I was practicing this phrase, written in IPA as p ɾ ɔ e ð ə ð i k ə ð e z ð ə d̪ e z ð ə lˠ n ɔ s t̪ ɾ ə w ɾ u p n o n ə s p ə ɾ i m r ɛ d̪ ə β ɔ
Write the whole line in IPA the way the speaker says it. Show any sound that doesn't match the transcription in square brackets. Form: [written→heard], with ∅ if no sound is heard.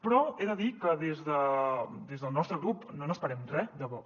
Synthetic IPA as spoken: p ɾ ɔ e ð ə ð i k ə ð e z ð ə d̪ e z ð ə lˠ n ɔ s t̪ ɾ ə [w→ɣ] ɾ u p n o n ə s p ə ɾ [i→ɛ] m r ɛ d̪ ə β ɔ